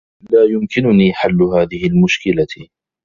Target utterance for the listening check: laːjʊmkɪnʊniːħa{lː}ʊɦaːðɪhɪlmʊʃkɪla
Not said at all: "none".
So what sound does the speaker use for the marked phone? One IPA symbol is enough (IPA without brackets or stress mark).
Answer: lː